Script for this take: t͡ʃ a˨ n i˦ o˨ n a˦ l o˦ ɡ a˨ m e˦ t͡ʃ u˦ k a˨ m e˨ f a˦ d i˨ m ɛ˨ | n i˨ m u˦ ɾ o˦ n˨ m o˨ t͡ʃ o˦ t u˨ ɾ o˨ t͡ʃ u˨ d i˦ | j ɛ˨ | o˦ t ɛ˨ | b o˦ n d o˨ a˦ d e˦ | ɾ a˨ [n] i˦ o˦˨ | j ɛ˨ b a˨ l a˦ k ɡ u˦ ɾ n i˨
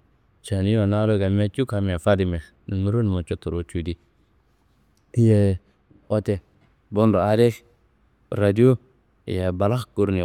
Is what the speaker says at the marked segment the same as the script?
no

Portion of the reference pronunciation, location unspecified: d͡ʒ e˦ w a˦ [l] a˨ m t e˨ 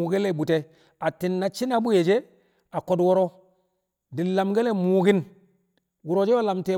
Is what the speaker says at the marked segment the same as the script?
yes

